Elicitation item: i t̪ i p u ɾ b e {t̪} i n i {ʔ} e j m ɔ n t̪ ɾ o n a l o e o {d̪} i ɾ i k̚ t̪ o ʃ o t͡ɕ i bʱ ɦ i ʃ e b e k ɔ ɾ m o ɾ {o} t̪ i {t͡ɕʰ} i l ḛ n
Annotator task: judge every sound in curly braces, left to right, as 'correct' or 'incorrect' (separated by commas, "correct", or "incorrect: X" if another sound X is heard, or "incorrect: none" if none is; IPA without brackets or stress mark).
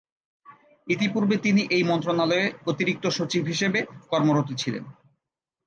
correct, correct, incorrect: t̪, correct, correct